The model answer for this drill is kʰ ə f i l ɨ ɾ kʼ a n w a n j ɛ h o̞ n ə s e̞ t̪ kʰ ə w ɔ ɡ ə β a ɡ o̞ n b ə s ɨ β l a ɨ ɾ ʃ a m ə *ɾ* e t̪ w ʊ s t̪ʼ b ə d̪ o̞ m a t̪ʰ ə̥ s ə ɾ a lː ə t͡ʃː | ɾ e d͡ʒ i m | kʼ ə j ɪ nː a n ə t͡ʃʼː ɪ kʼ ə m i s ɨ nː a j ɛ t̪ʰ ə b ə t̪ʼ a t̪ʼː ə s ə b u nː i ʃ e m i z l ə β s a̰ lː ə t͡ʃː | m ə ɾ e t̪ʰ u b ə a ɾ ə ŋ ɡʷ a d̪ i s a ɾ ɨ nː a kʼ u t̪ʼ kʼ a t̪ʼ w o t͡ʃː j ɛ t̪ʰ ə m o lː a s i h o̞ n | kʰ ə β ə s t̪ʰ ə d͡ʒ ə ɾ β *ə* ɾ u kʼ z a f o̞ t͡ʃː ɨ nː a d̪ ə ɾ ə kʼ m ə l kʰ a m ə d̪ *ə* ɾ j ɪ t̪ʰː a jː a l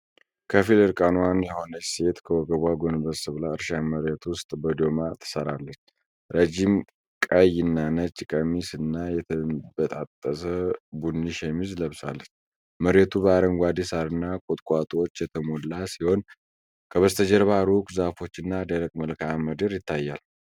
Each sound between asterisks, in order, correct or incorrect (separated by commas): correct, incorrect, correct